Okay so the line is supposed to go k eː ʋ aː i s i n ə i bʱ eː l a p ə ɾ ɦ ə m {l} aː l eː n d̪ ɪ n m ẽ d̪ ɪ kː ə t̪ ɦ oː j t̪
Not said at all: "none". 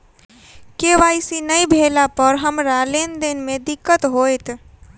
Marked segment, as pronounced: ɾ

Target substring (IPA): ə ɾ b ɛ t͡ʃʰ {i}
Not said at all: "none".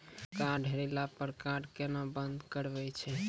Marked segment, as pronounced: ɛ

